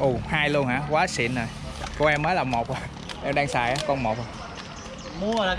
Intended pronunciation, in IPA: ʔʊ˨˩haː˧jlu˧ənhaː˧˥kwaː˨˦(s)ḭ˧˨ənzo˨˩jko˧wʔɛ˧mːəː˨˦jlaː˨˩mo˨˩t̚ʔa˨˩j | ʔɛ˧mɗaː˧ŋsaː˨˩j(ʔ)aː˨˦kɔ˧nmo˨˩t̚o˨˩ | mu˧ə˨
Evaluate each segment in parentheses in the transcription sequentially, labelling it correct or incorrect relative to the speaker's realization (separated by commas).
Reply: correct, correct